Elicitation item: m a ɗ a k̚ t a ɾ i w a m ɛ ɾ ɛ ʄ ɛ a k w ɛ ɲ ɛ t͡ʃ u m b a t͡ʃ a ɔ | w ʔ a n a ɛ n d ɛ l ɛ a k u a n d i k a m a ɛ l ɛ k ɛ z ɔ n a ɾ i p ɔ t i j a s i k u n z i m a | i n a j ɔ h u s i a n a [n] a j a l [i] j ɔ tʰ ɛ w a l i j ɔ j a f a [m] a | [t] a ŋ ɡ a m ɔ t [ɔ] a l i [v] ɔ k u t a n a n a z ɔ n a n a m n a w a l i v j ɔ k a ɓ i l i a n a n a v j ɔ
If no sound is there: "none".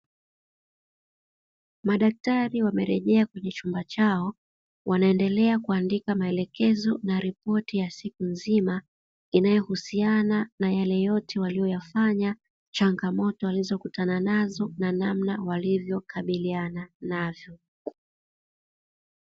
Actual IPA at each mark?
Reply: n, ɛ, ɲ, t͡ʃ, ɔ, z

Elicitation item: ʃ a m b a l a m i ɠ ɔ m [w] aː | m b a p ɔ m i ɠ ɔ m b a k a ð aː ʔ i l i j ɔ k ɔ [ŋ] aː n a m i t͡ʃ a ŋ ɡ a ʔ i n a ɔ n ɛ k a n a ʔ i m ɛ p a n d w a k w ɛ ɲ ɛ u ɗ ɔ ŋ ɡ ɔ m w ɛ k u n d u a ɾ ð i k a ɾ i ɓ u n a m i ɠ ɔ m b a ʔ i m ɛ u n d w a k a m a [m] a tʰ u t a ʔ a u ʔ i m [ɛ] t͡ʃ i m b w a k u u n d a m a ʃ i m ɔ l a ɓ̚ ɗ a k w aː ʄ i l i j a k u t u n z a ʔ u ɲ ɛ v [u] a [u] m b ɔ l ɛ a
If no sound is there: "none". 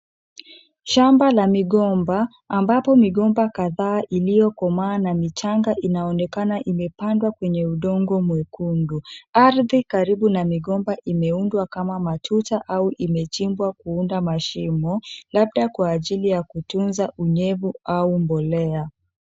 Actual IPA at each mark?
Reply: b, m, m, ɛ, u, u

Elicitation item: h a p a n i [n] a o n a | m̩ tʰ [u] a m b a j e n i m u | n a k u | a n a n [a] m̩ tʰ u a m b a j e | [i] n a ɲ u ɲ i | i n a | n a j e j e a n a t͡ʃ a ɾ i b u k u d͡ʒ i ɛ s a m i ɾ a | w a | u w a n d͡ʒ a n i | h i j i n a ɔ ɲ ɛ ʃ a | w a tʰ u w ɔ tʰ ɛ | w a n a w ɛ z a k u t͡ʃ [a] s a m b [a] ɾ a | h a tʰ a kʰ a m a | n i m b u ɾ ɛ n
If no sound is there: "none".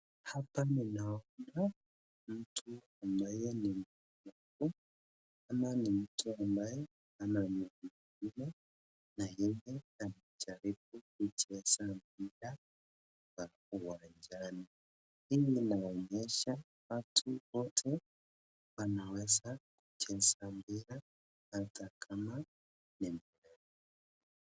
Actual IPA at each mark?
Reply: n, u, i, a, ɛ, i

